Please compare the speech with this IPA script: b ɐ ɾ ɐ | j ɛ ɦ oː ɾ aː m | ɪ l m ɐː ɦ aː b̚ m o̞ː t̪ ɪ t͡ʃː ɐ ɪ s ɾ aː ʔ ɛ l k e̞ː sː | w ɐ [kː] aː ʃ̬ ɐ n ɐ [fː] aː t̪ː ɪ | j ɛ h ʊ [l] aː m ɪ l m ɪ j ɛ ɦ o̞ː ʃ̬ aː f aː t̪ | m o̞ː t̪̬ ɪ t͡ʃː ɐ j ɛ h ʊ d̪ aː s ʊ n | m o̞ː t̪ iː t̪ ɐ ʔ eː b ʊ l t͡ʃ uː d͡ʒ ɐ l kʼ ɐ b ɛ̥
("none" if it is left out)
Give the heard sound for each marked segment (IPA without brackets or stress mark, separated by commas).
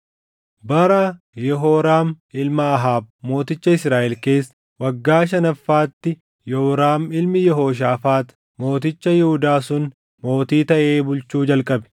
ɡː, fː, ɾ